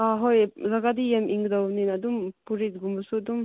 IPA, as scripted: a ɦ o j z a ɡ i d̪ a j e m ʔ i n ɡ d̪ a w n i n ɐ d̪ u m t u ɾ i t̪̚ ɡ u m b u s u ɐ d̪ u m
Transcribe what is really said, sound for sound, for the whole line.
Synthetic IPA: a ɦ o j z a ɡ a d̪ i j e m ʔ i ŋ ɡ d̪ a w n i n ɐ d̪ u m p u ɾ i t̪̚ ɡ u m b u s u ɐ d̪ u m

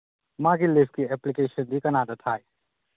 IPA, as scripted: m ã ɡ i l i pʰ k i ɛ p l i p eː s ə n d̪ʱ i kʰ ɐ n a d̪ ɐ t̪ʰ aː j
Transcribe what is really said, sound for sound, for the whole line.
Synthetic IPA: m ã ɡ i l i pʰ k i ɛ p l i k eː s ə n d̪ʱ i k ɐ n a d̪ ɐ t̪ʰ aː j

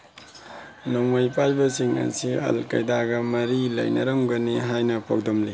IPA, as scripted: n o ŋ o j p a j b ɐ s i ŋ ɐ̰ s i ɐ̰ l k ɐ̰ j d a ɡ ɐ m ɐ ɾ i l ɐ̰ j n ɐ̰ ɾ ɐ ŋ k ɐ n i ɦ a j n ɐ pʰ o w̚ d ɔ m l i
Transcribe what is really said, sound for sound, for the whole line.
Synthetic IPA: n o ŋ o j p a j b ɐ s i ŋ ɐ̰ s i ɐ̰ l k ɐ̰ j d a ɡ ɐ m ɐ ɾ i l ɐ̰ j n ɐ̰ ɾ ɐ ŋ ɡ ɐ n i ɦ a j n ɐ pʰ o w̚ d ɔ m l i

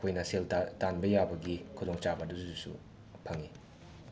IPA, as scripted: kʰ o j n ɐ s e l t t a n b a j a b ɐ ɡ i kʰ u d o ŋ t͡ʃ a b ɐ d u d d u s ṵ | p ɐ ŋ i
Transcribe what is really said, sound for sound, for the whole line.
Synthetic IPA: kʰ o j n ɐ s e l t t a n b ɐ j a b ɐ ɡ i kʰ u d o ŋ t͡ʃ a b ɐ d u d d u s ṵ | pʰ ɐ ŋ i

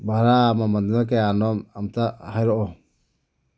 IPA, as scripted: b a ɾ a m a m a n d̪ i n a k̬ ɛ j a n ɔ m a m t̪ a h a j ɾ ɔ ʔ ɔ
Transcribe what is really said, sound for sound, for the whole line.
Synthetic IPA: b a ɾ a m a m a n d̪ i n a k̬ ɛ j a n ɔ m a m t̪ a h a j ɾ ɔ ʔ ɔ

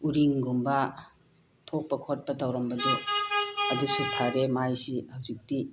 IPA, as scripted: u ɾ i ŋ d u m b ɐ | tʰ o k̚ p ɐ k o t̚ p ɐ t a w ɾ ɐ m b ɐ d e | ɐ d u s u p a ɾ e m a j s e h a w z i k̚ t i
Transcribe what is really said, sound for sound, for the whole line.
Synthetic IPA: u ɾ i ŋ ɡ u m b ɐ | tʰ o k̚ p ɐ kʰ o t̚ p ɐ t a w ɾ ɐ m b ɐ d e | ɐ d u s u pʰ a ɾ e m a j s i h a w z i k̚ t i

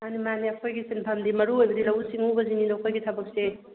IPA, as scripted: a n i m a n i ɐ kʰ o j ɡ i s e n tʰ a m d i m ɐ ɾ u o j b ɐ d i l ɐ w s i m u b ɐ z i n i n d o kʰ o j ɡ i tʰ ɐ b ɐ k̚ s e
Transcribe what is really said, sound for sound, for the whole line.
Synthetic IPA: a n i m a n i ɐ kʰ o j ɡ i s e n pʰ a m d i m ɐ ɾ u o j b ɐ d i l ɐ w s i ŋ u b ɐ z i n i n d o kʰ o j ɡ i tʰ ɐ b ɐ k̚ s e

